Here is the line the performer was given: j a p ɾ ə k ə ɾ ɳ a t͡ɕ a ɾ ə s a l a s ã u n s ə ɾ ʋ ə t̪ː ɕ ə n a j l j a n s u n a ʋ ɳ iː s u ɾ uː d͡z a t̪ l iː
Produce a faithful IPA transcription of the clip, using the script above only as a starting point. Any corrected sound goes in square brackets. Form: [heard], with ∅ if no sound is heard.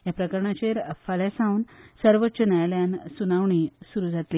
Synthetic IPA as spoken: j a p ɾ ə k ə ɾ ɳ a t͡ɕ [e] ɾ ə [f] a l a s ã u n s ə ɾ ʋ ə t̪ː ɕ ə n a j l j a n s u n a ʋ ɳ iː s u ɾ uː d͡z a t̪ l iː